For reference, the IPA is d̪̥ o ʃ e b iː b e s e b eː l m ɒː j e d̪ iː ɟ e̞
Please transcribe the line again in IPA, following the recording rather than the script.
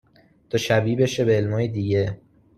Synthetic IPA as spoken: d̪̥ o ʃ æ b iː b e ʃ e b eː l m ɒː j e d̪ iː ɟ e̞